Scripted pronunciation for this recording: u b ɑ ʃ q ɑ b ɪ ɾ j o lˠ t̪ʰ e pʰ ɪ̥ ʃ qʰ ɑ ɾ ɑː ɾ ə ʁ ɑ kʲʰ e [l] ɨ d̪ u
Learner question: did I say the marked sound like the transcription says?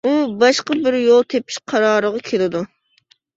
yes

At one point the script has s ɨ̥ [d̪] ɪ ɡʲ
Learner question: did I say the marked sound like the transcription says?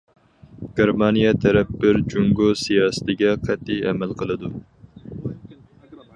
no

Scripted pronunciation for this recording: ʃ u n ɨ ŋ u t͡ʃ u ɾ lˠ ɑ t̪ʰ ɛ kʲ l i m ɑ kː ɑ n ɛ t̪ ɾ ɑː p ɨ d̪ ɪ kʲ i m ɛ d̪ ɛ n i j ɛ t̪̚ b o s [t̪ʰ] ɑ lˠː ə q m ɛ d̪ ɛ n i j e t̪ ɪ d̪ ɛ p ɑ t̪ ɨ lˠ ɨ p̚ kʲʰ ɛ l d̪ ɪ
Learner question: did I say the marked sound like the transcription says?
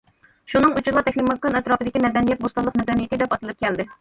no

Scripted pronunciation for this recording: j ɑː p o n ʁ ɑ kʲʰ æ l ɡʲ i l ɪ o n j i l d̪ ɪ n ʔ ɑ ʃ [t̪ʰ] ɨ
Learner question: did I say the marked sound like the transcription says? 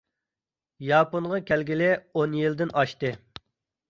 no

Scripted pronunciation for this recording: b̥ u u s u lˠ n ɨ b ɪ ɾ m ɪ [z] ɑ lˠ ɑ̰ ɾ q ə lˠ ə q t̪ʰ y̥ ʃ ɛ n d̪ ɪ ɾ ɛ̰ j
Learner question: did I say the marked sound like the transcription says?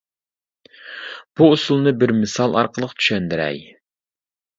no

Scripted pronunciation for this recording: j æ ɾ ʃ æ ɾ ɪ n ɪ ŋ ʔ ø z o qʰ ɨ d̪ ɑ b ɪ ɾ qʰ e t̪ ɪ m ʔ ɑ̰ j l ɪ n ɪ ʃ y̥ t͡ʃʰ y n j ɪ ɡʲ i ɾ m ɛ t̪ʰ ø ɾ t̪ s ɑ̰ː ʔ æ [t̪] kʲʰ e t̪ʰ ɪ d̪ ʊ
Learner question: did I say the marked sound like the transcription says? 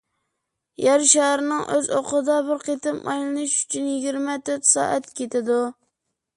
yes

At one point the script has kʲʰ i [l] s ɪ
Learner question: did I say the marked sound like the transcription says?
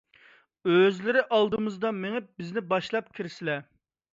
no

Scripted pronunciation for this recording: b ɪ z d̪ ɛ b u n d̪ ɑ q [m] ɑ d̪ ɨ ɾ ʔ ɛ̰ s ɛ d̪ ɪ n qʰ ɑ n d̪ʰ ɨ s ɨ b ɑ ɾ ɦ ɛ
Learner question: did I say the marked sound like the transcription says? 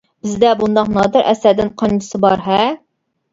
no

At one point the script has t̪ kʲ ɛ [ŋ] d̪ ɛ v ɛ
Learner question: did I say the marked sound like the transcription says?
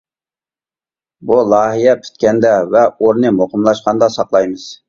no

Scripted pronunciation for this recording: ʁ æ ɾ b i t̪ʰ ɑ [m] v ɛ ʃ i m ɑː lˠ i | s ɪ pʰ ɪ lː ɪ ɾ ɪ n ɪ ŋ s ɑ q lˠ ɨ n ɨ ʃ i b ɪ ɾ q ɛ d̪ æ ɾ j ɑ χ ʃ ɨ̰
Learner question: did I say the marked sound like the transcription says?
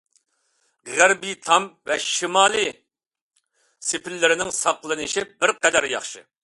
yes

